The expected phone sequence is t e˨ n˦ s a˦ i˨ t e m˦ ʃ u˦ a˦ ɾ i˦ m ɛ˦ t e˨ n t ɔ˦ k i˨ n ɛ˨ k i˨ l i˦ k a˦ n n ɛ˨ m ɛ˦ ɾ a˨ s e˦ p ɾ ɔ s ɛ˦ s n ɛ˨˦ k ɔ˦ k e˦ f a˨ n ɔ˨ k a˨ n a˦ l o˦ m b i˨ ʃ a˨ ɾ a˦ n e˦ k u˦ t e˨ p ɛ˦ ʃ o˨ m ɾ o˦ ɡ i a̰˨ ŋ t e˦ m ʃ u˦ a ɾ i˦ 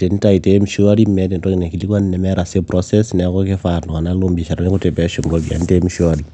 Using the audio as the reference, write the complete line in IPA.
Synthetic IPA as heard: t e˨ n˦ t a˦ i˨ t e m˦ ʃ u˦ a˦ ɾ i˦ m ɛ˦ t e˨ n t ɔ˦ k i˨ n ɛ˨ k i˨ l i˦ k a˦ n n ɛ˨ m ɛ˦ ɾ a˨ s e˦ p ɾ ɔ s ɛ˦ s n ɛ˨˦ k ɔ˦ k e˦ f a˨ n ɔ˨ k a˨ n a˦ l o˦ m b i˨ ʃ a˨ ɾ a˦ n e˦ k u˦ t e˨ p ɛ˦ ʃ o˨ m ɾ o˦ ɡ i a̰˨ n t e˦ m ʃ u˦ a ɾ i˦